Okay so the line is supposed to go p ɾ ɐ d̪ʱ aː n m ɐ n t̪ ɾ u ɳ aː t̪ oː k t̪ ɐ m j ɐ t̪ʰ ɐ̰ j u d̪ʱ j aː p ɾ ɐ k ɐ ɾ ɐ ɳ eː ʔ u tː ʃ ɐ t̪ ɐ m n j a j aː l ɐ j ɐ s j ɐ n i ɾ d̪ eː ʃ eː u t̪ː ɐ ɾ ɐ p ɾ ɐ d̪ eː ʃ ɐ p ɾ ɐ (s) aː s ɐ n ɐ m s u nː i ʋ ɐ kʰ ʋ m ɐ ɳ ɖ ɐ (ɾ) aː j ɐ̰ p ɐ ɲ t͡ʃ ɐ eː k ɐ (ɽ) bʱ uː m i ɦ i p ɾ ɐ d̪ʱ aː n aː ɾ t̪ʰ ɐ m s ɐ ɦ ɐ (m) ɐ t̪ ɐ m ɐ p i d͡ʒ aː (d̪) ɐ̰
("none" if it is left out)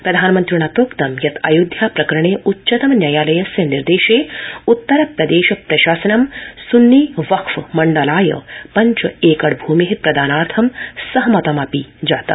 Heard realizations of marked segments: ʃ, l, ɽ, m, t̪

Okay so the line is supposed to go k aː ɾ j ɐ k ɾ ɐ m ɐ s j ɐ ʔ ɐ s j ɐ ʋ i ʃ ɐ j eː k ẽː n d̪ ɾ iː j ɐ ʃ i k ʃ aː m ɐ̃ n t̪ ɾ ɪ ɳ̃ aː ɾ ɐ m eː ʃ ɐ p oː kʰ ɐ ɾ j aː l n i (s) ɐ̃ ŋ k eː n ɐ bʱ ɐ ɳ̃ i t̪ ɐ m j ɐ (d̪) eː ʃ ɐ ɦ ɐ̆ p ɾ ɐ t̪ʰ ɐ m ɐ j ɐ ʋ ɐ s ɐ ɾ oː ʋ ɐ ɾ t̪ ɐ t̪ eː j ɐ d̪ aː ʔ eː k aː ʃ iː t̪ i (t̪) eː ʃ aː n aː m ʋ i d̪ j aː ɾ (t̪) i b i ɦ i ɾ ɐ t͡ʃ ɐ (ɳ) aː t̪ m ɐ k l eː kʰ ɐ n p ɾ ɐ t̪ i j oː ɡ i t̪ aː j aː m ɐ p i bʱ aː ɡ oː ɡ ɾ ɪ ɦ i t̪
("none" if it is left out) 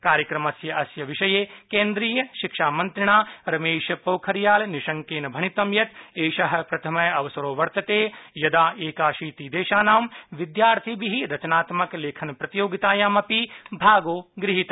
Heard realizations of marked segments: ʃ, t̪, d̪, t̪ʰ, n

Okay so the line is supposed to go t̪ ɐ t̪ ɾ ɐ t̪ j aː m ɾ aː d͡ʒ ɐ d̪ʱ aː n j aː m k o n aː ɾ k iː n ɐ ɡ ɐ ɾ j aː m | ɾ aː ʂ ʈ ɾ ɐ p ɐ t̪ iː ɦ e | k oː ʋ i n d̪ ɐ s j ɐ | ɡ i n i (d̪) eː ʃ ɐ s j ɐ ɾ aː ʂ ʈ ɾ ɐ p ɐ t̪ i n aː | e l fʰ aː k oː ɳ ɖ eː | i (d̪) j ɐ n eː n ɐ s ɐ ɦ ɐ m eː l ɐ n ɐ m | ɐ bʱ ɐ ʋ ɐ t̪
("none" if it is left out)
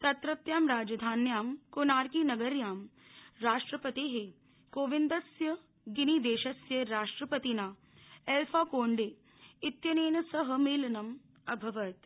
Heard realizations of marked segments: d̪, t̪

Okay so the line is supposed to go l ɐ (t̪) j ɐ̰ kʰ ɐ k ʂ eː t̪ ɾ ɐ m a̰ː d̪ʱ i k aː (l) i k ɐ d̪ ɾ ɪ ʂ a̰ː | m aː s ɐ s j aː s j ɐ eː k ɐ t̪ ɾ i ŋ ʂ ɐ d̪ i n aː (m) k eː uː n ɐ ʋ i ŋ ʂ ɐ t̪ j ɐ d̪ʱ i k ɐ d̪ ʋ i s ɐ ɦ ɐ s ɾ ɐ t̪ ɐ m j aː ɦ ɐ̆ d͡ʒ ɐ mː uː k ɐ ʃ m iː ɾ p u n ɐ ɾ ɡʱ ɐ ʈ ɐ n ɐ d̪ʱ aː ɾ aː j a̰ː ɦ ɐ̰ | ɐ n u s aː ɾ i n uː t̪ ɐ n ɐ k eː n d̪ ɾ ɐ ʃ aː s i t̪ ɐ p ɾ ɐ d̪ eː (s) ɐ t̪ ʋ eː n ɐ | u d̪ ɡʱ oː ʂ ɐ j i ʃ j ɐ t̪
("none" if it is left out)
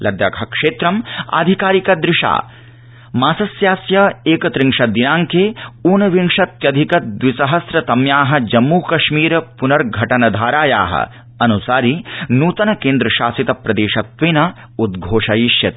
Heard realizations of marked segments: d̪, ɾ, ŋ, ʃ

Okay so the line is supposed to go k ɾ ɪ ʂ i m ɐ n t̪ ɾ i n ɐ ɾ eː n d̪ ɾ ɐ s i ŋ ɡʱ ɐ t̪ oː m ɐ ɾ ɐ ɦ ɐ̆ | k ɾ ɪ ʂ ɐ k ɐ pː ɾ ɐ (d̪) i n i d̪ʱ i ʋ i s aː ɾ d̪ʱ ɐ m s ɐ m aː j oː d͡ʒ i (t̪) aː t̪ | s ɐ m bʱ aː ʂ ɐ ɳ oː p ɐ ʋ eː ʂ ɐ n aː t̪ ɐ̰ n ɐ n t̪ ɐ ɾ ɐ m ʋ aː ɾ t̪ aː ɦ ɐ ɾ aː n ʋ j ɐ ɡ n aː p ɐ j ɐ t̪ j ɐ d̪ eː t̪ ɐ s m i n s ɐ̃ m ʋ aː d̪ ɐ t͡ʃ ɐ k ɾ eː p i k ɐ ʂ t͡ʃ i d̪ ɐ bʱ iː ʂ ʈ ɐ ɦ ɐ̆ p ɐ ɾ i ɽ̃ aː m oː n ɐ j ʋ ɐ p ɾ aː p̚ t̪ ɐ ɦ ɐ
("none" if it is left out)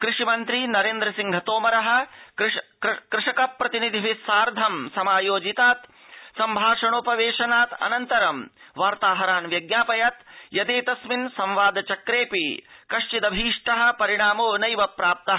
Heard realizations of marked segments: t̪, t̪

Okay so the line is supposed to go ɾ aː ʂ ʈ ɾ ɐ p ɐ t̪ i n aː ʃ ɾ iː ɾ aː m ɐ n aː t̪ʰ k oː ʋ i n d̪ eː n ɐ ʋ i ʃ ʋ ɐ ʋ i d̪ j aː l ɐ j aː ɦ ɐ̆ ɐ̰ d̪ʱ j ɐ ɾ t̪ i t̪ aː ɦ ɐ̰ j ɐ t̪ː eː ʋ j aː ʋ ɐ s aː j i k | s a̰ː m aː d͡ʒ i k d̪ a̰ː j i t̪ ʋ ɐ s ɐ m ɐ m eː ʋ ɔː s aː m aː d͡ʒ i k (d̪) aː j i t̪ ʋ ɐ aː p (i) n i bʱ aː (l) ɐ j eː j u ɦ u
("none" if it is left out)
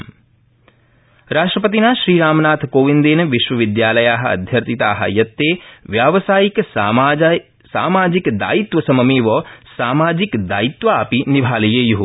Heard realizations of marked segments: d̪, i, l

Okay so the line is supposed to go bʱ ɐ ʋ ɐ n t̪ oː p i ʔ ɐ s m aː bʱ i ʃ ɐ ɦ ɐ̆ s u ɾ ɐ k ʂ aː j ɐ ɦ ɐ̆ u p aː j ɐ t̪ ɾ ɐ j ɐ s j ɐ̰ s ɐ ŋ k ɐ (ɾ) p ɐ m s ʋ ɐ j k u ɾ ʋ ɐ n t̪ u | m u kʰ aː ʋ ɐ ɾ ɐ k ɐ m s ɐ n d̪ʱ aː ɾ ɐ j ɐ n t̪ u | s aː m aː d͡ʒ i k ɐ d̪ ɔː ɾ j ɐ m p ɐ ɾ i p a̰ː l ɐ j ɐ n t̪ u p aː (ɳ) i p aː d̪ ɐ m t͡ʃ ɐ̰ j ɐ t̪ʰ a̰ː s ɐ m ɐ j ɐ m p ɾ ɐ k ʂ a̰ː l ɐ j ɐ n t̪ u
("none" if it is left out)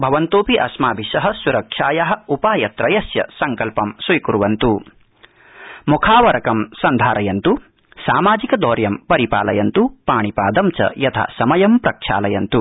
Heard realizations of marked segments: l, ɳ

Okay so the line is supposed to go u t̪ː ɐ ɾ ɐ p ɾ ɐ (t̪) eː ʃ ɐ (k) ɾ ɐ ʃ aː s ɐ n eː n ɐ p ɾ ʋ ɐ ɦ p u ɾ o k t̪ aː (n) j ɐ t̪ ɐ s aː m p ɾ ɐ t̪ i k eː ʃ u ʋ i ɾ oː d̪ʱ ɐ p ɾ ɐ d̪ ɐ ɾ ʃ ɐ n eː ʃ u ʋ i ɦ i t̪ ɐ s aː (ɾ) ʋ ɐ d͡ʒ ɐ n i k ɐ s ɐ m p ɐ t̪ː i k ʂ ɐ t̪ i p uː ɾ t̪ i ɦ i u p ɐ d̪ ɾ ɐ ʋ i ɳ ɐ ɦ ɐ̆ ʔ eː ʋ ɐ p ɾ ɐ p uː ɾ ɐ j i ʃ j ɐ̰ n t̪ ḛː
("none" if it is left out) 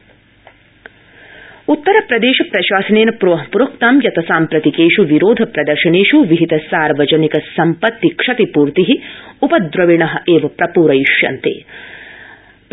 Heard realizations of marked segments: d̪, p, m, ɾ

